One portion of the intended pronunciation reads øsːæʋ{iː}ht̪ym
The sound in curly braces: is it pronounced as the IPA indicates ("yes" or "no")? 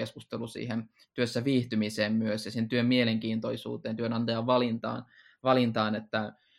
yes